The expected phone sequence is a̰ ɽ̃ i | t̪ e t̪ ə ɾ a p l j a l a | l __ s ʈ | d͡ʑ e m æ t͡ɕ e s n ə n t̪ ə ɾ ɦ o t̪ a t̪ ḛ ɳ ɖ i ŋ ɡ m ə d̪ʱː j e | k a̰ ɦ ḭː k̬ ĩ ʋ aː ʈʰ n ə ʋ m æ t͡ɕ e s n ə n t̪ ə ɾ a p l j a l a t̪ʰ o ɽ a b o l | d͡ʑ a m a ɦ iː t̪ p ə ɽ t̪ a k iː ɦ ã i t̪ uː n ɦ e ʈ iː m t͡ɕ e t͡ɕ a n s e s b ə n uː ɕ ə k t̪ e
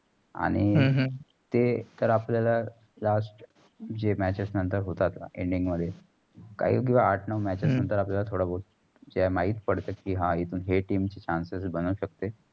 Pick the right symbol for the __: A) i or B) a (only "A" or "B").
B